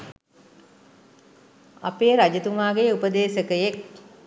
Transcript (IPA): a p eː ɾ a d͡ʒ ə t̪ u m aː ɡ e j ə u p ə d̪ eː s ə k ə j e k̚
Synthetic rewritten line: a p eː ɾ a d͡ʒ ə t̪ u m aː ɡ e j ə u p ə d̪ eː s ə k ə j e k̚